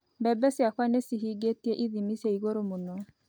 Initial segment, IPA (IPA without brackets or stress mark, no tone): b